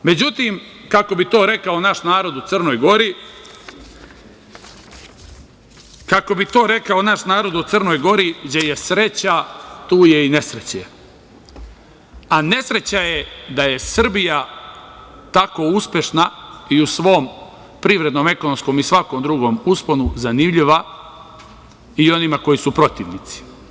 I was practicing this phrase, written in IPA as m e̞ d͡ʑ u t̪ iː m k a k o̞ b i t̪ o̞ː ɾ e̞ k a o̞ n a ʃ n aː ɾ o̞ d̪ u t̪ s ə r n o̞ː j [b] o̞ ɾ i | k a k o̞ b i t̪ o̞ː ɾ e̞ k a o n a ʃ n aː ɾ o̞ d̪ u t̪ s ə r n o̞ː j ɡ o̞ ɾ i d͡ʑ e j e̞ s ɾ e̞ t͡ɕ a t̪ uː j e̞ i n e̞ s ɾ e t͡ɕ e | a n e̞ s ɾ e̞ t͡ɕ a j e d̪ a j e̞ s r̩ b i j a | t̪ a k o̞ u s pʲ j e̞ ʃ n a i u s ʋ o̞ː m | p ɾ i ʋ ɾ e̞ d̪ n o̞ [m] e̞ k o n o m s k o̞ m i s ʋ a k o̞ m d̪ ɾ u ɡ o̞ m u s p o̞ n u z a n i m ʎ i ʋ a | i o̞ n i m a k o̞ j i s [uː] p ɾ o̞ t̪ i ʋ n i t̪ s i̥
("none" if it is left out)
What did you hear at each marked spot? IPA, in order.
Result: ɡ, m, u

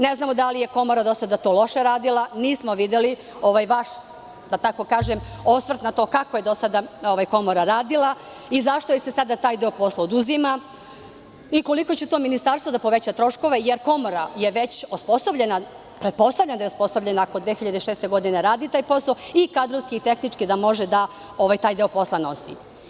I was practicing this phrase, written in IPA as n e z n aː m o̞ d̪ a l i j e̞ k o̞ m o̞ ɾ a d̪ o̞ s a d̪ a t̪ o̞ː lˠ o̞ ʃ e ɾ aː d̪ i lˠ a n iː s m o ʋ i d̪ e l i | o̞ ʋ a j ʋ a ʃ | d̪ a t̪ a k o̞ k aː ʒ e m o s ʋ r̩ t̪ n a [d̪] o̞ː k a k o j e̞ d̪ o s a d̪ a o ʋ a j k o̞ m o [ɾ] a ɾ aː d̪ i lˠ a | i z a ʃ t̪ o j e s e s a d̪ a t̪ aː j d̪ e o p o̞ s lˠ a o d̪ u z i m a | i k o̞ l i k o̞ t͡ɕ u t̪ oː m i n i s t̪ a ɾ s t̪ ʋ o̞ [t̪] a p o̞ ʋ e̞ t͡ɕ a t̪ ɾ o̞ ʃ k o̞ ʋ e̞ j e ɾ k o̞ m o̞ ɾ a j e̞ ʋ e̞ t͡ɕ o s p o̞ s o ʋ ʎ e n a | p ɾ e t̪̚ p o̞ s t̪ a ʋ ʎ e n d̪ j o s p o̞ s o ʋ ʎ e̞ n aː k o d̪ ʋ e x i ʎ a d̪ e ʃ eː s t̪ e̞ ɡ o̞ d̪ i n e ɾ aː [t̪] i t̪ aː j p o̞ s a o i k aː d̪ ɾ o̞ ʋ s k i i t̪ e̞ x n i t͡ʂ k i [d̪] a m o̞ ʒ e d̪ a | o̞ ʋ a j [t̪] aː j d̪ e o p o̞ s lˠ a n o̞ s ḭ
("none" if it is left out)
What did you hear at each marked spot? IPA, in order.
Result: t̪, ɾ, d̪, d̪, d̪, t̪

